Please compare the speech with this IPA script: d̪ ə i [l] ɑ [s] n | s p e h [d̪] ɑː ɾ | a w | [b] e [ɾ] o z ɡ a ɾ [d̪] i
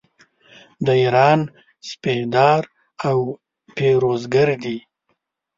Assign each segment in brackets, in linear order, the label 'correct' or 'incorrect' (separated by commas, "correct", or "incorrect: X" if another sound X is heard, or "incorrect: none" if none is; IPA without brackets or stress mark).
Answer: incorrect: ɾ, incorrect: none, correct, incorrect: p, correct, correct